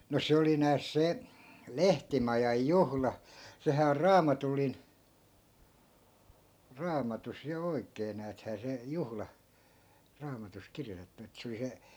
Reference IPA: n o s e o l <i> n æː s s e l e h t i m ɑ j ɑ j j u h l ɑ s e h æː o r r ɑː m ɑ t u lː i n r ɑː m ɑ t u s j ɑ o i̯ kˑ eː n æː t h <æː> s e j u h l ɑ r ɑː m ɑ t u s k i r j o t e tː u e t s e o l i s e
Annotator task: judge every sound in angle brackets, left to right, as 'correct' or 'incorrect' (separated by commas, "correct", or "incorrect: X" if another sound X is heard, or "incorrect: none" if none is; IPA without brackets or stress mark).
correct, correct